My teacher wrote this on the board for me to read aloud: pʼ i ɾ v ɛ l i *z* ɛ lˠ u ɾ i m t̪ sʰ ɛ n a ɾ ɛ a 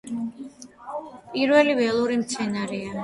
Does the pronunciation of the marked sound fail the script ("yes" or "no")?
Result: yes